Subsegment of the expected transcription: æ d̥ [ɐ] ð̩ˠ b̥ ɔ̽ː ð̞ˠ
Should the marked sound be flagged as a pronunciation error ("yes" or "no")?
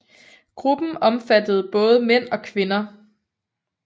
yes